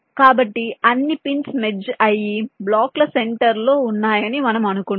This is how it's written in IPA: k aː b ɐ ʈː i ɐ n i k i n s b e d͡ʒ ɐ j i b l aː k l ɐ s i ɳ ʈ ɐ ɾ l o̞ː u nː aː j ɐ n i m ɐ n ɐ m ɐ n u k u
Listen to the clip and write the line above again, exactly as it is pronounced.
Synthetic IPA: k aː b ɐ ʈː i ɐ nː i p i n s m e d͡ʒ ɐ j i b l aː k l ɐ s e ɳ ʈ ɐ ɾ l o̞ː u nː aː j ɐ n i m ɐ n ɐ m ɐ n u k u